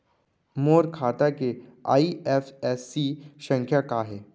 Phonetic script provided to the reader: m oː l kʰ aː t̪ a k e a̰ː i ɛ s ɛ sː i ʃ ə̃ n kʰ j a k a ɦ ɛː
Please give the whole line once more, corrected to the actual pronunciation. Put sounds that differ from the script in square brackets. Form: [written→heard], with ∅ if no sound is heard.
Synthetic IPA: m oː [l→ɾ] kʰ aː t̪ a k e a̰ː i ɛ [s→f] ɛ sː i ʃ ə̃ [n→ŋ] kʰ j a k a ɦ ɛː